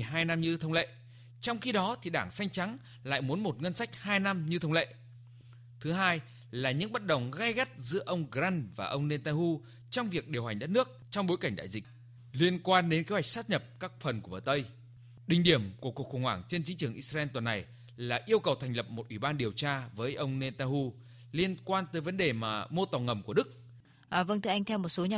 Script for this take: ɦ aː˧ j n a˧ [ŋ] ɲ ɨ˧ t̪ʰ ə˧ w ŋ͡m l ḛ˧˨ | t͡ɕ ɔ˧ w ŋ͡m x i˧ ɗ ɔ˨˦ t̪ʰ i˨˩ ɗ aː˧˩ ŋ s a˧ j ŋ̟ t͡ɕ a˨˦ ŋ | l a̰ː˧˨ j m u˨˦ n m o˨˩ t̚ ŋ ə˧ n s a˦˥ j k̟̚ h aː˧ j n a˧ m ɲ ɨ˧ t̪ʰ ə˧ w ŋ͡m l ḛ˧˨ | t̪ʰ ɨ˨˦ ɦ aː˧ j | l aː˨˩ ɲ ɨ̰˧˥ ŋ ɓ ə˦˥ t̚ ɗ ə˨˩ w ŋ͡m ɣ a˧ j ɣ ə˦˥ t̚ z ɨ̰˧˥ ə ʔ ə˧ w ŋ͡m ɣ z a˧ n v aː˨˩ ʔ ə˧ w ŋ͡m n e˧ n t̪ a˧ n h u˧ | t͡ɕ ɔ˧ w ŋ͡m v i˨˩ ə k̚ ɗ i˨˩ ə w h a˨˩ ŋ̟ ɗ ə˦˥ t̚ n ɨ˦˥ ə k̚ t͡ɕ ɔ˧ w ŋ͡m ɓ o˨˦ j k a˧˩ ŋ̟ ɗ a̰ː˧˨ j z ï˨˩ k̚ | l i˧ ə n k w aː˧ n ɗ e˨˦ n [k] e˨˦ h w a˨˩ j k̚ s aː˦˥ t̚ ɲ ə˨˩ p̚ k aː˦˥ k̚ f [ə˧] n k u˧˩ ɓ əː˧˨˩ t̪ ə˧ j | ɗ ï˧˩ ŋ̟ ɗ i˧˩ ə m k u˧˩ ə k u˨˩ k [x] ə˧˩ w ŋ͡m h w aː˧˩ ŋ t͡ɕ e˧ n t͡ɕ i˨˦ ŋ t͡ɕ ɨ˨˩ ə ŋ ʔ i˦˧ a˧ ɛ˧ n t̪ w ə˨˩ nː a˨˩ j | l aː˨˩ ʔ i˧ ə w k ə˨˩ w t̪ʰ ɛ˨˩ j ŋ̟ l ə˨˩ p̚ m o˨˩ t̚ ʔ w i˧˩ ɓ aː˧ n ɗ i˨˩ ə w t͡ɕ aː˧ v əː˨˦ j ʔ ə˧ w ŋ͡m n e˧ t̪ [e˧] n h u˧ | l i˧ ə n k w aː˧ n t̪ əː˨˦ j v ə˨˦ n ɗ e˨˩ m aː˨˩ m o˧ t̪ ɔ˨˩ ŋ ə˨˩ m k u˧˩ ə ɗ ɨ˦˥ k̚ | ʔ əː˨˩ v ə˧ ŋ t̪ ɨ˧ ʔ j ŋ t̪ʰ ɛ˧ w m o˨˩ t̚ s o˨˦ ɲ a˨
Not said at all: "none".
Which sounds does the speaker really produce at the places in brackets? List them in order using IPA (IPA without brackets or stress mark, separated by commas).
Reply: m, k, ə˨˩, x, a˧